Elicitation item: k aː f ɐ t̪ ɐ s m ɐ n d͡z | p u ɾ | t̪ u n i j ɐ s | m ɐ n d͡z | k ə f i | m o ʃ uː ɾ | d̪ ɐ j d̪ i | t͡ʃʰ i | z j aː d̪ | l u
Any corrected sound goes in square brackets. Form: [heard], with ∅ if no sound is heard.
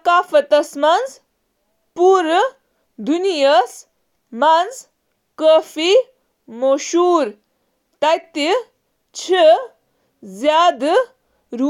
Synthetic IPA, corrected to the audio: k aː f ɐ t̪ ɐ s m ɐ n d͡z | p u ɾ | [d̪] u n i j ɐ s | m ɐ n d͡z | k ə f i | m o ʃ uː ɾ | [t̪] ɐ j [t̪] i | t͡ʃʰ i | z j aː d̪ | [ɾ] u